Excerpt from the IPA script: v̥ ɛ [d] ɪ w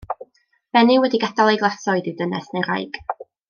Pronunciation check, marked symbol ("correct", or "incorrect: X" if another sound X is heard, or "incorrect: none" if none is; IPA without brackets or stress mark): incorrect: n